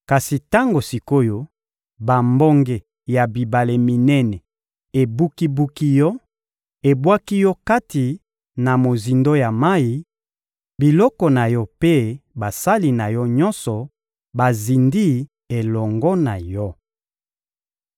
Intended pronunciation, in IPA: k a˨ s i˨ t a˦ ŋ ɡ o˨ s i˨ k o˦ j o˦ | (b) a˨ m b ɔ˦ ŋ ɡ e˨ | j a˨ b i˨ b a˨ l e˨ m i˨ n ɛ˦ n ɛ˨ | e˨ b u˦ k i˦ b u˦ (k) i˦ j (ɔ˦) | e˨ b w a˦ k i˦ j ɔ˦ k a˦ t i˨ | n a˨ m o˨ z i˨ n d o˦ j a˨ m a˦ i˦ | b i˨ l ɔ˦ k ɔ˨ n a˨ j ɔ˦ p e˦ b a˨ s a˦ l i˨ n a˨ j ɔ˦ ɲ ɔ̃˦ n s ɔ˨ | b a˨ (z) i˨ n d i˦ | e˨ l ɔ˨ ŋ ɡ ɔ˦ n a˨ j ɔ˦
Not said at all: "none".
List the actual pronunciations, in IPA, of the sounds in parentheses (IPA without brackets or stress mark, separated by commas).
b, k, ɔ˦, z